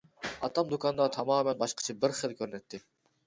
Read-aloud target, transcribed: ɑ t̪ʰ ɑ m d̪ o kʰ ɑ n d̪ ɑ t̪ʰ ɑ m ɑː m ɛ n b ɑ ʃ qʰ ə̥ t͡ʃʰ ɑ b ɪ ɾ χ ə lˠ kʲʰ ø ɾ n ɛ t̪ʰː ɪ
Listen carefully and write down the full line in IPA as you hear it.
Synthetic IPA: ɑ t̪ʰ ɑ m d̪ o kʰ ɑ n d̪ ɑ t̪ʰ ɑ m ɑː m ɛ n b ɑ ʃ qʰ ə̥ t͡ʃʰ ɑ b ɪ ɾ χ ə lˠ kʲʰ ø ɾ n ɛ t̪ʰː ɪ